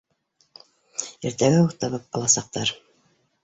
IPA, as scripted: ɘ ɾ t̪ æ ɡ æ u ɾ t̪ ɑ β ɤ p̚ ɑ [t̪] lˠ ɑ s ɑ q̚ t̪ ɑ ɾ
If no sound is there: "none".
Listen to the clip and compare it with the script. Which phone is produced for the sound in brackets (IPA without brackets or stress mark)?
none